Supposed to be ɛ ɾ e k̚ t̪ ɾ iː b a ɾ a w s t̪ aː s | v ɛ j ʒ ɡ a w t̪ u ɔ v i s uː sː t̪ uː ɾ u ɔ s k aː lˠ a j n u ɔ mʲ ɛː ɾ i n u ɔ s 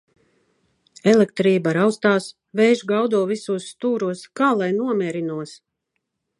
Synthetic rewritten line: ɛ l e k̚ t̪ ɾ iː b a ɾ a w s t̪ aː s | v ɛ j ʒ ɡ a w d̪ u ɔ v i s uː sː t̪ uː ɾ u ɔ s k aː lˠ a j n u ɔ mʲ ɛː ɾ i n u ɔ s